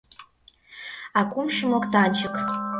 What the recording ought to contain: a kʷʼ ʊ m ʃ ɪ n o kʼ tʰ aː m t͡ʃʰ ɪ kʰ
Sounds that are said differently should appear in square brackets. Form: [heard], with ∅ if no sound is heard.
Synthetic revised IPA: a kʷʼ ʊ m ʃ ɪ [m] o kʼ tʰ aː [n] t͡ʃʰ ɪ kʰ